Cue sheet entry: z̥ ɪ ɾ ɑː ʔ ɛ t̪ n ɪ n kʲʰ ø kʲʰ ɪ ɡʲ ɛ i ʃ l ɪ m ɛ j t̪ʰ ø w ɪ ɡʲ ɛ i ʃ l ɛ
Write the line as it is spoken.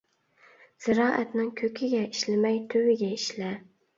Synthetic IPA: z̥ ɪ ɾ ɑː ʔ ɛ t̪ n ɪ ŋ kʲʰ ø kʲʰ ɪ ɡʲ ɛ i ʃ l ɪ m ɛ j t̪ʰ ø w ɪ ɡʲ ɛ i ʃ l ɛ